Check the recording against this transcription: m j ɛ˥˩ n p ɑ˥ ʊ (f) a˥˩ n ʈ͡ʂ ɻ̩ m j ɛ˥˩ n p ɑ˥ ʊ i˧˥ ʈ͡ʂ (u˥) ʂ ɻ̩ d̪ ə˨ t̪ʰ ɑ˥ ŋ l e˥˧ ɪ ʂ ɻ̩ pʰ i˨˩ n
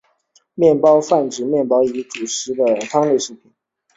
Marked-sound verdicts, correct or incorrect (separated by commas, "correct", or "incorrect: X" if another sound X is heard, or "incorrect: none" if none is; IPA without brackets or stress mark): correct, incorrect: u˨˩